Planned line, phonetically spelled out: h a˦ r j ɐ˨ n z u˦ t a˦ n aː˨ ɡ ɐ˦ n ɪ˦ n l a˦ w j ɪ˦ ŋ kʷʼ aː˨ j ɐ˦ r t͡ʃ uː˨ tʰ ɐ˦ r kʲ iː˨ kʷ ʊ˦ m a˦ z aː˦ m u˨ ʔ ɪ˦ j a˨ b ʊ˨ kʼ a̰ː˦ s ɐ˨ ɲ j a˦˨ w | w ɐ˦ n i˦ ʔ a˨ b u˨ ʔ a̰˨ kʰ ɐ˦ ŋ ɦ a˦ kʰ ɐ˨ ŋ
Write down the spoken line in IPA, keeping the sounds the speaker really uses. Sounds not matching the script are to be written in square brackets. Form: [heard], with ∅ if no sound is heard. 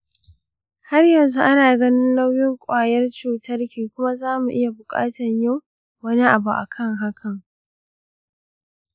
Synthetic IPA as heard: h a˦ r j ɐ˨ n z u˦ [ʔ] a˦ n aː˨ ɡ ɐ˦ n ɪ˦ n l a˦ w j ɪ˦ ŋ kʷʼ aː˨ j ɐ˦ r t͡ʃ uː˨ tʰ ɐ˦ r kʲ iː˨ kʷ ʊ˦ m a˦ z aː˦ m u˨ ʔ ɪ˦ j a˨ b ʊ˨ kʼ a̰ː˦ [t] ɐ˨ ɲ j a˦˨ w | w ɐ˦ n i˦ ʔ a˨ b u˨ ʔ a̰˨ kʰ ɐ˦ ŋ ɦ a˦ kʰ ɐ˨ ŋ